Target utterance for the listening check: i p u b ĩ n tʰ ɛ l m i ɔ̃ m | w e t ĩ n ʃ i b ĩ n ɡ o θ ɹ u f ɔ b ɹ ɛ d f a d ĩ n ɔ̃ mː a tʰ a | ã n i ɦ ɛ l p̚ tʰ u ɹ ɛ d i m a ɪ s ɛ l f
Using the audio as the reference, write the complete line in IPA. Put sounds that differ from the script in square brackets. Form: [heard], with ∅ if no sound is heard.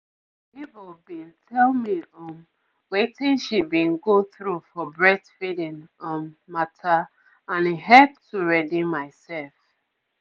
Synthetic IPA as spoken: i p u b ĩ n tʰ ɛ l m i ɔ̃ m | w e t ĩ n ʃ i b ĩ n ɡ o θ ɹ u f ɔ b ɹ ɛ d f [i] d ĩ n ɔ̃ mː a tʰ a | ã n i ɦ ɛ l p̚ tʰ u ɹ ɛ d i m a ɪ s ɛ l f